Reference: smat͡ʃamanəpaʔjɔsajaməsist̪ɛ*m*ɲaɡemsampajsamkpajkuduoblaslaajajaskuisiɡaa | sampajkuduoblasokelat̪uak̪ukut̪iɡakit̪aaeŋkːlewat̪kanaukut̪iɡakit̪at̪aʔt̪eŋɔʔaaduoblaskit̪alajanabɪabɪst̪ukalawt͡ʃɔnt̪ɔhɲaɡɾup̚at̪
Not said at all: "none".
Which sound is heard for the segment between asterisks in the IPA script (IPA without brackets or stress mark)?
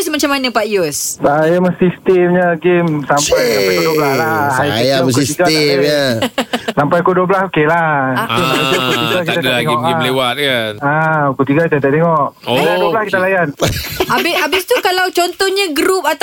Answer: m